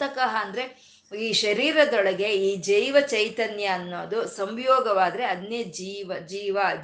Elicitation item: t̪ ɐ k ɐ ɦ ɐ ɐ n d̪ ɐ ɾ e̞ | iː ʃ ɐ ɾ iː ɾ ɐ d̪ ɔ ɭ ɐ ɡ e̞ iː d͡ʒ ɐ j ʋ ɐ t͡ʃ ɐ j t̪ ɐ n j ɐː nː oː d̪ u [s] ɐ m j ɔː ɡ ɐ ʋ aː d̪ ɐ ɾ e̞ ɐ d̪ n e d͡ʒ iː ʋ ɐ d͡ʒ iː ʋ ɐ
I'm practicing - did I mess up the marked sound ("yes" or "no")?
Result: no